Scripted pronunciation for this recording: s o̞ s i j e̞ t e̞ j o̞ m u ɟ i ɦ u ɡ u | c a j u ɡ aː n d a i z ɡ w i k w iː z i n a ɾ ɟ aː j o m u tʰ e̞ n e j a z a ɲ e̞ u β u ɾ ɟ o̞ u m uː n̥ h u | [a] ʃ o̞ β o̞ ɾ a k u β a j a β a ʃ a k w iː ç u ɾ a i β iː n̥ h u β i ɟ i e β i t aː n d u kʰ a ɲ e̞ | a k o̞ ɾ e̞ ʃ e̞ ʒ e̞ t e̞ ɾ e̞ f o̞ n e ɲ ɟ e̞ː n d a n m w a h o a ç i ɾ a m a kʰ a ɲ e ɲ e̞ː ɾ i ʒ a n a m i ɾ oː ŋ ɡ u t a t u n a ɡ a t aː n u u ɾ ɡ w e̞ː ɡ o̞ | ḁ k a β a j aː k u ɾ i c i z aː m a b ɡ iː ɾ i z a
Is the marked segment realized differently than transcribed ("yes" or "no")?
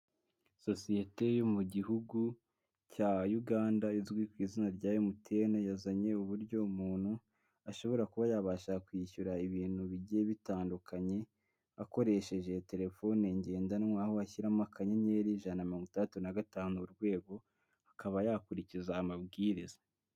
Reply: no